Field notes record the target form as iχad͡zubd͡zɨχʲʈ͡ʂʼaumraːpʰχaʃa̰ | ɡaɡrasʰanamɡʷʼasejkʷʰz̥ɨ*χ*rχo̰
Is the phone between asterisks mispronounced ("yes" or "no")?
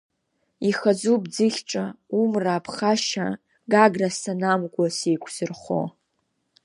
yes